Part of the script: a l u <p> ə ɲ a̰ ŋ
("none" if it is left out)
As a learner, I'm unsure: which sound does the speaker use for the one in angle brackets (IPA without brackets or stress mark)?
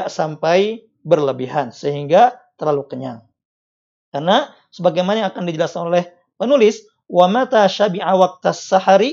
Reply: k